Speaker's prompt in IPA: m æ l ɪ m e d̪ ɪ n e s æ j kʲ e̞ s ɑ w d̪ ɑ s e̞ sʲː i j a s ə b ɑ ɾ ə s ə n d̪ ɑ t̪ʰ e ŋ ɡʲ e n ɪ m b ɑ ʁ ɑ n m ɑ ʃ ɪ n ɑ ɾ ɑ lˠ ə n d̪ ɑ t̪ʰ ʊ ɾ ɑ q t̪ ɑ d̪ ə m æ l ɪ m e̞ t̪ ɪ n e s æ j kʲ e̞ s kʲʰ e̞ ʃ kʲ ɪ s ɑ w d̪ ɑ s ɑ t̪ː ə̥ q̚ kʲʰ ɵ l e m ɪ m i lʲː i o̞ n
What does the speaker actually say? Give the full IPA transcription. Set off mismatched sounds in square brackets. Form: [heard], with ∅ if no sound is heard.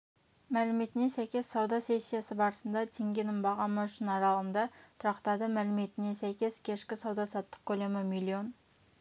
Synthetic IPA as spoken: m æ l ɪ m e [t̪] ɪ n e s æ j kʲ e̞ s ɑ w d̪ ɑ s e̞ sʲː i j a s ə b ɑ ɾ ə s ə n d̪ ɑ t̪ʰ e ŋ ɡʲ e n ɪ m b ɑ ʁ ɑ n m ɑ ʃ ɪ n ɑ ɾ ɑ lˠ ə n d̪ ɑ t̪ʰ ʊ ɾ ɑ q t̪ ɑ d̪ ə m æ l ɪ m e̞ t̪ ɪ n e s æ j kʲ e̞ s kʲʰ e̞ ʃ kʲ ɪ s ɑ w d̪ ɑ s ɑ t̪ː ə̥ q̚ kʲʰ ɵ l e m ɪ m i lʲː i o̞ n

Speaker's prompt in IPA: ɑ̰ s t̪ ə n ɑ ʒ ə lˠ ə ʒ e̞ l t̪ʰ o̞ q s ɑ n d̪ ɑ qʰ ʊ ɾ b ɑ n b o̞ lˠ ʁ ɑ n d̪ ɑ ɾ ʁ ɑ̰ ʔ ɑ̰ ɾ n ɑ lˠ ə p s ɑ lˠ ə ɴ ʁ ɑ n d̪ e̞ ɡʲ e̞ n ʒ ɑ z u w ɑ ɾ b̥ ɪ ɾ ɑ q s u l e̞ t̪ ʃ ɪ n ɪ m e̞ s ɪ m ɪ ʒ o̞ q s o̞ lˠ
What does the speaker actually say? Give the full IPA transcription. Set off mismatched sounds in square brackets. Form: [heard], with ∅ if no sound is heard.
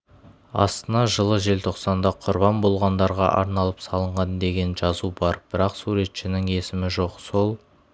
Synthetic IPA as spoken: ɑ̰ s t̪ ə n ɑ ʒ ə lˠ ə ʒ e̞ l t̪ʰ o̞ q s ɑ n d̪ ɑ qʰ ʊ ɾ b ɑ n b o̞ lˠ ʁ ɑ n d̪ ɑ ɾ ʁ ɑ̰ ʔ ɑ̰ ɾ n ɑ lˠ ə p s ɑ lˠ ə ɴ ʁ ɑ n d̪ e̞ ɡʲ e̞ n ʒ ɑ z u [b] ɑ ɾ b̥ ɪ ɾ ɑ q s u [ɾ] e̞ t̪ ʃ ɪ n ɪ [ŋ] e̞ s ɪ m ɪ ʒ o̞ q s o̞ lˠ

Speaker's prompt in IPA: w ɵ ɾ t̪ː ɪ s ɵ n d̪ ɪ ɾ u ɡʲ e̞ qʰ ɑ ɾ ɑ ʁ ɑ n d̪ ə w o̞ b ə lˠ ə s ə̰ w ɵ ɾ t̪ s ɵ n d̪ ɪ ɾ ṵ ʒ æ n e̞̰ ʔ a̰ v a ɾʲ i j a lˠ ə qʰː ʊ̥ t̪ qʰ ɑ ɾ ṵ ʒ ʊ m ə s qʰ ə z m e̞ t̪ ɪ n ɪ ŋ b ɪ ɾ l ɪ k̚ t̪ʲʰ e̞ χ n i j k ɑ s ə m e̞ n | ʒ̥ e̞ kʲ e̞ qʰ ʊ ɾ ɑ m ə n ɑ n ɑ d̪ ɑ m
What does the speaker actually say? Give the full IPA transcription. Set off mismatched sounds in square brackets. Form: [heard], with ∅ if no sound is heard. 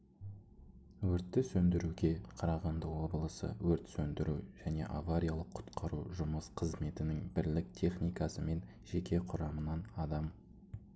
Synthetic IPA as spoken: w ɵ ɾ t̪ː ɪ s ɵ n d̪ ɪ ɾ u ɡʲ e̞ qʰ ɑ ɾ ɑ ʁ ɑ n d̪ ə w o̞ b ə lˠ ə s ə̰ w ɵ ɾ t̪ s ɵ n d̪ ɪ ɾ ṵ ʒ æ n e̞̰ ʔ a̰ v a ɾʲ i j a lˠ ə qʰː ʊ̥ t̪ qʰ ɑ ɾ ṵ ʒ ʊ m ə s qʰ ə z m e̞ t̪ ɪ n ɪ ŋ b ɪ ɾ l ɪ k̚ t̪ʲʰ e̞ χ n i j k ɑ s ə m e̞ n | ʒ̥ e̞ kʲ e̞ qʰ ʊ ɾ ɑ m ə n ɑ n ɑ d̪ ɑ m

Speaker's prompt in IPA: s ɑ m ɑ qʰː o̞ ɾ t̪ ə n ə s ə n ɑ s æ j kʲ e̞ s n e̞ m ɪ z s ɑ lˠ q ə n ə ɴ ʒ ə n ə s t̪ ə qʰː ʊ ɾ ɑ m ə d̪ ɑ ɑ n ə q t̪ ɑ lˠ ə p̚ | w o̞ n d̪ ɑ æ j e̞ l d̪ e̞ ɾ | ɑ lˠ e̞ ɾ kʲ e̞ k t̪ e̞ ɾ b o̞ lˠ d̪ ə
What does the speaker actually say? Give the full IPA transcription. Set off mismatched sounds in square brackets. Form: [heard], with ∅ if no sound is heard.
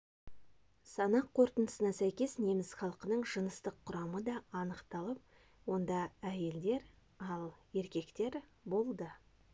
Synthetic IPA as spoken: s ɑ [n] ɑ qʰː o̞ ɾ t̪ ə n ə s ə n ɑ s æ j kʲ e̞ s n e̞ m ɪ z [χ] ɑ lˠ q ə n ə ɴ ʒ ə n ə s t̪ ə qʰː ʊ ɾ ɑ m ə d̪ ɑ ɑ n ə q t̪ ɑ lˠ ə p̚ | w o̞ n d̪ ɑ æ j e̞ l d̪ e̞ ɾ | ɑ lˠ e̞ ɾ kʲ e̞ k t̪ e̞ ɾ b o̞ lˠ d̪ ə

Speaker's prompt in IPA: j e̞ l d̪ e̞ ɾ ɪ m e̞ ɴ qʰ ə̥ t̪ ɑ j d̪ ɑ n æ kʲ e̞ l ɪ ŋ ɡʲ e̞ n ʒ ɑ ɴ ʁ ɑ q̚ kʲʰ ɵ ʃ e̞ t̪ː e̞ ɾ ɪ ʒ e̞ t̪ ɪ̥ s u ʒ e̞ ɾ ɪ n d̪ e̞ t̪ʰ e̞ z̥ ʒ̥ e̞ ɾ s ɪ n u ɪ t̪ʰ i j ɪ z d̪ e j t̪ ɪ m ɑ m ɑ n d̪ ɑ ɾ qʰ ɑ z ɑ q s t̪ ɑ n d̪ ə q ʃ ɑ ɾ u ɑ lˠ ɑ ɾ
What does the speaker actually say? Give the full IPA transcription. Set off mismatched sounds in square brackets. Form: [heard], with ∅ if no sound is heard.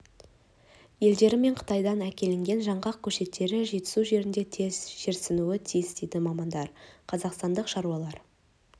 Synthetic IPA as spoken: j e̞ l d̪ e̞ ɾ ɪ m e̞ ɴ qʰ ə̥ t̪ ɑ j d̪ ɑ n æ kʲ e̞ l ɪ ŋ ɡʲ e̞ n ʒ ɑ ɴ ʁ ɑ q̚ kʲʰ ɵ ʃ e̞ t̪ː e̞ ɾ ɪ ʒ e̞ t̪ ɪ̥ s u ʒ e̞ ɾ ɪ n d̪ e̞ t̪ʰ e̞ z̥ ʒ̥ e̞ ɾ s ɪ n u ɪ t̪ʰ i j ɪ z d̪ e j [d̪] ɪ m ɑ m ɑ n d̪ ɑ ɾ qʰ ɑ z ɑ q s t̪ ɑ n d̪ ə q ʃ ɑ ɾ u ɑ lˠ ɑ ɾ

